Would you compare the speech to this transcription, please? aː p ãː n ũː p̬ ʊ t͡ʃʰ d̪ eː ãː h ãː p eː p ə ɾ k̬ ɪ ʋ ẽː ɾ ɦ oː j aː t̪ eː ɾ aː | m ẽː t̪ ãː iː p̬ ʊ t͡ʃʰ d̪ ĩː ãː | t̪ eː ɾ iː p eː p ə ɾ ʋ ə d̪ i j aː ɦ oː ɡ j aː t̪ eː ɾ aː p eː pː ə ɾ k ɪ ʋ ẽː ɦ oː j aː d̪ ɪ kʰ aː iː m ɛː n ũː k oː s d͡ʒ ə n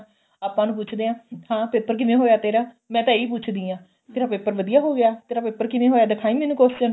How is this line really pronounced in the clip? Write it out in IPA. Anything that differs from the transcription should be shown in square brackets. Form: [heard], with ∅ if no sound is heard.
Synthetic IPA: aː p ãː n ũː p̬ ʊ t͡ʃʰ d̪ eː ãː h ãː p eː p ə ɾ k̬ ɪ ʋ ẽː [∅] ɦ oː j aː t̪ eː ɾ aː | m [ɛ̃ː] t̪ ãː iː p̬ ʊ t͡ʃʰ d̪ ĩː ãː | t̪ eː ɾ [aː] p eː p ə ɾ ʋ ə d̪ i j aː ɦ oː ɡ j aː t̪ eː ɾ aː p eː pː ə ɾ k ɪ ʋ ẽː ɦ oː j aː d̪ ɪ kʰ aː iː m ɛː n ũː k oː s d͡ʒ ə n

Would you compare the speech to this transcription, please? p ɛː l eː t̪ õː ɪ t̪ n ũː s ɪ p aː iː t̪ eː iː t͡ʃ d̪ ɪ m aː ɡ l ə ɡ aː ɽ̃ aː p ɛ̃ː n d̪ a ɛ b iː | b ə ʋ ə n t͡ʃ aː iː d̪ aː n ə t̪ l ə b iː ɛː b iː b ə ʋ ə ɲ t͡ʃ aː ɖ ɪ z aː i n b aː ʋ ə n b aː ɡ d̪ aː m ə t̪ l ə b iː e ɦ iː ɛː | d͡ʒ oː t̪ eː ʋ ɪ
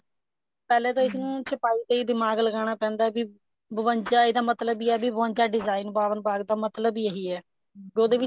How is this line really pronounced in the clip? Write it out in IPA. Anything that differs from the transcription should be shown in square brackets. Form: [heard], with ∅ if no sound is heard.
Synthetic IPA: p ɛː l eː t̪ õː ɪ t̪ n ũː s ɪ p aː iː t̪ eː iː [∅] d̪ ɪ m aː ɡ l ə ɡ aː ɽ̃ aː p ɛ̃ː n d̪ a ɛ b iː | b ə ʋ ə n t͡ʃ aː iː d̪ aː [m] ə t̪ l ə b iː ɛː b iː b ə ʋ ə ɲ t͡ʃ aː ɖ ɪ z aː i n b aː ʋ ə n b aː ɡ d̪ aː m ə t̪ l ə b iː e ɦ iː ɛː | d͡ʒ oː [d̪] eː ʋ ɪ

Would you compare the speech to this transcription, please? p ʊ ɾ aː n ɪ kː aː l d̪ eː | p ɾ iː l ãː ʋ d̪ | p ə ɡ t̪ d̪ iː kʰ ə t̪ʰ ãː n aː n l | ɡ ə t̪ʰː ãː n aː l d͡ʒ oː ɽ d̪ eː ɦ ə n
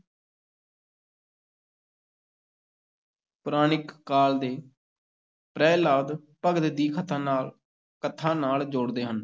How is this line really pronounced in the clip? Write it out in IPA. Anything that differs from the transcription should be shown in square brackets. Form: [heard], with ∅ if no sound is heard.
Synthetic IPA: p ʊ ɾ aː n ɪ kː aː l d̪ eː | p ɾ [ɛː] l [aː] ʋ d̪ | p ə ɡ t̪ d̪ iː kʰ ə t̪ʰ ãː n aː [∅] l | [k] ə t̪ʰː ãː n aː l d͡ʒ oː ɽ d̪ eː ɦ ə n

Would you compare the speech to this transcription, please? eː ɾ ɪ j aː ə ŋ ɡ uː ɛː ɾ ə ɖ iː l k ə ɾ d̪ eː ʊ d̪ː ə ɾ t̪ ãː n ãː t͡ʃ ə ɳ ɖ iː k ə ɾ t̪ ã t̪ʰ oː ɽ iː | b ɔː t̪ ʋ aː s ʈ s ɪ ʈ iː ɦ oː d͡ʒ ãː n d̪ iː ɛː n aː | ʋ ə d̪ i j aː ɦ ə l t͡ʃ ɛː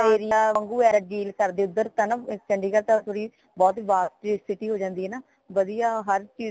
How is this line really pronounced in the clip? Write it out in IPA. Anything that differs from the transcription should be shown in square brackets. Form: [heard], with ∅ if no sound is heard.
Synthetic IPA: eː ɾ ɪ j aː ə ŋ ɡ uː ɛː ɾ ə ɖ iː l k ə ɾ d̪ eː ʊ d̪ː ə ɾ t̪ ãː n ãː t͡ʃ ə ɳ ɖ iː k ə ɾ t̪ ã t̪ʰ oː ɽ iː | b ɔː t̪ ʋ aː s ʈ s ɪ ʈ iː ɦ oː d͡ʒ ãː n d̪ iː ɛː n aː | ʋ ə d̪ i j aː ɦ ə [ɾ] t͡ʃ [iː]

